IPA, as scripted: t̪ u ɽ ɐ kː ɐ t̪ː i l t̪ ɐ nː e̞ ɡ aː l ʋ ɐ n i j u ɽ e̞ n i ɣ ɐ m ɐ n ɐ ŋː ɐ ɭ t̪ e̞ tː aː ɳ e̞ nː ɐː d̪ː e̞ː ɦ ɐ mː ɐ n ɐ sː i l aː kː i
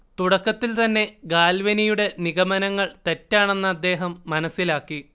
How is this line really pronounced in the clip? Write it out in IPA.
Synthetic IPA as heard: t̪ u ɽ ɐ kː ɐ t̪ː i l t̪ ɐ nː e̞ ɡ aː l ʋ ɐ n i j u ɽ e̞ n i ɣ ɐ m ɐ n ɐ ŋː ɐ ɭ t̪ e̞ tː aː ɳ e̞ nː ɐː d̪ː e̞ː ɦ ɐ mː ɐ n ɐ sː i l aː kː i